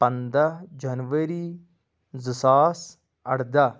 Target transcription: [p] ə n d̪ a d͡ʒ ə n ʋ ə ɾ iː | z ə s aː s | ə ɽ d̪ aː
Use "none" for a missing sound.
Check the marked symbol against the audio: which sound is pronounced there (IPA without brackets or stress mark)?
p